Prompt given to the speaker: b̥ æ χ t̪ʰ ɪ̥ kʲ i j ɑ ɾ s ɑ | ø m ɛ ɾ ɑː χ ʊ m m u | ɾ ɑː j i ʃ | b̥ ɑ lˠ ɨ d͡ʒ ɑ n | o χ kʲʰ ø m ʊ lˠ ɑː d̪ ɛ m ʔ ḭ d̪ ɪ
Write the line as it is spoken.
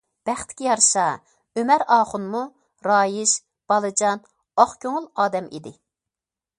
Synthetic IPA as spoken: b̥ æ χ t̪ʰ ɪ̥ kʲ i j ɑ ɾ ʃ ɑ | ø m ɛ ɾ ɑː χ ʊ n m u | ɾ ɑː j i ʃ | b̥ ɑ lˠ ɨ d͡ʒ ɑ n | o χ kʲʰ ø ŋ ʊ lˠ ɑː d̪ ɛ m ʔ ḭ d̪ ɪ

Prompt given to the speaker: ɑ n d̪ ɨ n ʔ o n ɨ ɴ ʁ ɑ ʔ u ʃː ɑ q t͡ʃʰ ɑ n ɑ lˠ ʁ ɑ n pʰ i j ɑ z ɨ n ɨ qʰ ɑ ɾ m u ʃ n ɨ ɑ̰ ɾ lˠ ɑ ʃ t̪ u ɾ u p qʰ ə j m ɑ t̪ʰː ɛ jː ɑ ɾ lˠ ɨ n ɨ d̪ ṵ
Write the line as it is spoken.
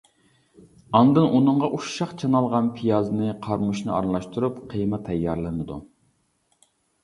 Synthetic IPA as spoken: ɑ n d̪ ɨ n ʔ u n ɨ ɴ ʁ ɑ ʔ u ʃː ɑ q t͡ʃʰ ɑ n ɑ lˠ ʁ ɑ n pʰ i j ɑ z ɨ n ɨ qʰ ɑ ɾ m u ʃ n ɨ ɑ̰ ɾ lˠ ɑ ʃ t̪ u ɾ u p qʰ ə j m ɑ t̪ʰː ɛ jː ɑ ɾ lˠ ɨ n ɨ d̪ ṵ

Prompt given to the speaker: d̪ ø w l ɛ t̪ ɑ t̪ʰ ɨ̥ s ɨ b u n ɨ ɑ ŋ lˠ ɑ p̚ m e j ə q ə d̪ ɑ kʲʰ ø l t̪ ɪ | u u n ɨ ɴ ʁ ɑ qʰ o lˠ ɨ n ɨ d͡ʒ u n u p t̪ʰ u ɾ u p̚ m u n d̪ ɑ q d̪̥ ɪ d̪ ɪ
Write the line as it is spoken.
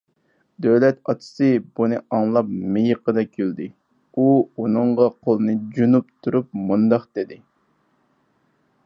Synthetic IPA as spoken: d̪ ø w l ɛ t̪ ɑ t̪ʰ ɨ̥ s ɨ b u n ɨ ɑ ŋ lˠ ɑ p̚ m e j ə q ə d̪ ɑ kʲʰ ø l d̪ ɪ | u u n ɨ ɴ ʁ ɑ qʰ o lˠ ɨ n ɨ d͡ʒ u n u p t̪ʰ u ɾ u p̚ m u n d̪ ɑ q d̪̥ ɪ d̪ ɪ

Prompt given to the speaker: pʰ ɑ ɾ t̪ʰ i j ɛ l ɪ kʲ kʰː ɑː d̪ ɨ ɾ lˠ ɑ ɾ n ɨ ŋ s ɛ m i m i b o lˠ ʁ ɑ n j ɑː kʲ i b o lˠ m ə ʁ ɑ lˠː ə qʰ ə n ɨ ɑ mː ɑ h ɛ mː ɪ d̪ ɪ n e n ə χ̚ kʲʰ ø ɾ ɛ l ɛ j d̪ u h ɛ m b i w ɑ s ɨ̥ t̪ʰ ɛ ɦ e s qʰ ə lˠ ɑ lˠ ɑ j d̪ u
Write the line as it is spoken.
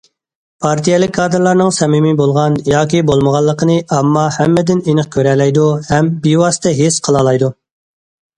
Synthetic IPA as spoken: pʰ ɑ ɾ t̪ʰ i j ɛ l ɪ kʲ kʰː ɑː d̪ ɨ ɾ lˠ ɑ ɾ n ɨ ŋ s ɛ m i m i b o lˠ ʁ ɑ n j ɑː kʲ i b o lˠ m ə ʁ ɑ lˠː ə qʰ ə n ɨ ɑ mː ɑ h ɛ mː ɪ d̪ ɪ n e n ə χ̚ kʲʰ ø ɾ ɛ l ɛ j d̪ u h ɛ m b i w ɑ s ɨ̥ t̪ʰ ɛ ɦ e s qʰ ə lˠ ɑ lˠ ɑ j d̪ u

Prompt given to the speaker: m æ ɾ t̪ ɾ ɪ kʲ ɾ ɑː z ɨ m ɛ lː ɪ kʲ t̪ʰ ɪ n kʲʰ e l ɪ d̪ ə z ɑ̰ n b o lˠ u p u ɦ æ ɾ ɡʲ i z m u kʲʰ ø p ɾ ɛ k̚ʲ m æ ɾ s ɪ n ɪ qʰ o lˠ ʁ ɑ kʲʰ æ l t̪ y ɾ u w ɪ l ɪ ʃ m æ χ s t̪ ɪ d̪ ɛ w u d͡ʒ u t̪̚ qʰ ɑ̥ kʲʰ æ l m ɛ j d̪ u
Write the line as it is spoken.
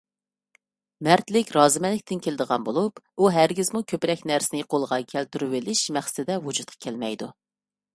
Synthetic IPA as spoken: m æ ɾ t̪ l ɪ kʲ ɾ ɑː z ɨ m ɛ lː ɪ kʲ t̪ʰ ɪ n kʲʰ e l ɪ d̪ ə ʁ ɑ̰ n b o lˠ u p u ɦ æ ɾ ɡʲ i z m u kʲʰ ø p ɾ ɛ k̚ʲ n æ ɾ s ɪ n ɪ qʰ o lˠ ʁ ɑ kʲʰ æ l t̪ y ɾ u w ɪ l ɪ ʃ m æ χ s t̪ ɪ d̪ ɛ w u d͡ʒ u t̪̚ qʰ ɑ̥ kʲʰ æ l m ɛ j d̪ u

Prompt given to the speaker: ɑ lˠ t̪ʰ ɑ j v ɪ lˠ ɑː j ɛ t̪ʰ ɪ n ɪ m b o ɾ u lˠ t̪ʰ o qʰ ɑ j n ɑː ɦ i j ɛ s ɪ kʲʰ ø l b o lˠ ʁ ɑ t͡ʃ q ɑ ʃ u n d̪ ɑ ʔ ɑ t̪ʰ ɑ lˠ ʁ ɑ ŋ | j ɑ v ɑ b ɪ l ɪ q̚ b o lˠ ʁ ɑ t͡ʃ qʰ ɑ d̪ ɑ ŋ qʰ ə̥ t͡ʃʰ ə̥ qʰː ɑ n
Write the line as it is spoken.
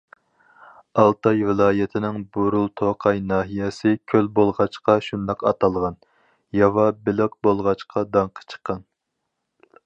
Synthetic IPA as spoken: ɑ lˠ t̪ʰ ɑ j v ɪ lˠ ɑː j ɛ t̪ʰ ɪ n ɪ ŋ b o ɾ u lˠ t̪ʰ o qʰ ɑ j n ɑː ɦ i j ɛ s ɪ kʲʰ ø l b o lˠ ʁ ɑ t͡ʃ q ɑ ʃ u n d̪ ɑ q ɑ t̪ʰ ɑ lˠ ʁ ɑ n | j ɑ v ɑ b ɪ l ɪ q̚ b o lˠ ʁ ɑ t͡ʃ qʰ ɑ d̪ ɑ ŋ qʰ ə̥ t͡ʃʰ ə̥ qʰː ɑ n

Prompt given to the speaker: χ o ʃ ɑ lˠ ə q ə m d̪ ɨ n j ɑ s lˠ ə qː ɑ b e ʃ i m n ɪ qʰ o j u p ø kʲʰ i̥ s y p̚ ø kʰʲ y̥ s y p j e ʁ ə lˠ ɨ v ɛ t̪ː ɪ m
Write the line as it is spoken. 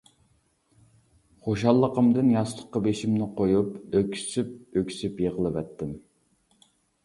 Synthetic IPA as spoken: χ o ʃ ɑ lˠː ə q ə m d̪ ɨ n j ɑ s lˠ ə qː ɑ b e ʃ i m n ɪ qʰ o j u p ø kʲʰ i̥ s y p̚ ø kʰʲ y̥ s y p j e ʁ ə lˠ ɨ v ɛ t̪ː ɪ m

